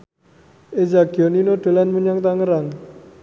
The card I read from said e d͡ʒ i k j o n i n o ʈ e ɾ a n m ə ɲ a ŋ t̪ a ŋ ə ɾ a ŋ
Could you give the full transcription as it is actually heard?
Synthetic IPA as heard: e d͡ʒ a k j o n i n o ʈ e l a n m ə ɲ a ŋ t̪ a ŋ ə ɾ a ŋ